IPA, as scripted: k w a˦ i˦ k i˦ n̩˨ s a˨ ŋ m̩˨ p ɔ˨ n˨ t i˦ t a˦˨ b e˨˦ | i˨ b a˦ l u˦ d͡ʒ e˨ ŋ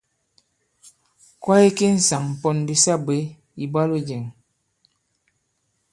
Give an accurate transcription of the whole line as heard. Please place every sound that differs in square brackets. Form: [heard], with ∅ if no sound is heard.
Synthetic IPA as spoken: k w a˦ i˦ k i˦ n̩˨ s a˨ ŋ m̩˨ p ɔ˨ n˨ [d] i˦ [s] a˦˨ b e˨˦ | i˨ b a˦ l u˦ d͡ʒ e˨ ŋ